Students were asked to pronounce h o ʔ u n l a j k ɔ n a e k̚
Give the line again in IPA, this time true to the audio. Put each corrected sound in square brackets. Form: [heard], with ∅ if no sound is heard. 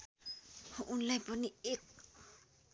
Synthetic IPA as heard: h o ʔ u n l a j [p] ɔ n [i] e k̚